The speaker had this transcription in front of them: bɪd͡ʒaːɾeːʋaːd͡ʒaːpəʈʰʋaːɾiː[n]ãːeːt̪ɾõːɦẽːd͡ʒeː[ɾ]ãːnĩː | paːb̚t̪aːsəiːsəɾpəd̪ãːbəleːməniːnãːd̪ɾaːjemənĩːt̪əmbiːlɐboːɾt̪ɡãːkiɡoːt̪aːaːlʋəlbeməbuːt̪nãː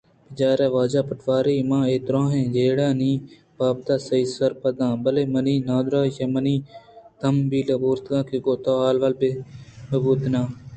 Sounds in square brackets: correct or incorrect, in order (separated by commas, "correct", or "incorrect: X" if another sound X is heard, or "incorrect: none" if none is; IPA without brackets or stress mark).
incorrect: m, incorrect: ɽ